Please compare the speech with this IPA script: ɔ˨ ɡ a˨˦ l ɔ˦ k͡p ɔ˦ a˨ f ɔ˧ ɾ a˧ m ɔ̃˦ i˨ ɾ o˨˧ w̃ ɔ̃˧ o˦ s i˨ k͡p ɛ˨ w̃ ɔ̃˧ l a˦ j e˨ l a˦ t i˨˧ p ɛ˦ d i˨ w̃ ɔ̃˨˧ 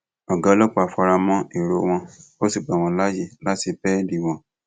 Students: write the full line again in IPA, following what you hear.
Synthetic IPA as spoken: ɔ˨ ɡ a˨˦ l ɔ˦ k͡p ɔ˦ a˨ f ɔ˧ ɾ a˧ m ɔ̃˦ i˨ ɾ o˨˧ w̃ ɔ̃˧ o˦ s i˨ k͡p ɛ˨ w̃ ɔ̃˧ l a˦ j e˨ l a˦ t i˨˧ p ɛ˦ d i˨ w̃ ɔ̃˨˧